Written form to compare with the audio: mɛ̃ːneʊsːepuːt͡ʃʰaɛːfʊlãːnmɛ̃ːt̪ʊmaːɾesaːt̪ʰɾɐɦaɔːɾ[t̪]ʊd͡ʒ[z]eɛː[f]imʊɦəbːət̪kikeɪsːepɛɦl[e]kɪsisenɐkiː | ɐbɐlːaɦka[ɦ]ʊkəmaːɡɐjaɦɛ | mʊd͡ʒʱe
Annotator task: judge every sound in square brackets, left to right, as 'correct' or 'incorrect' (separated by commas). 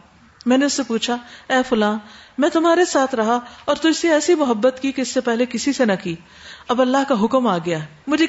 correct, incorrect, incorrect, correct, correct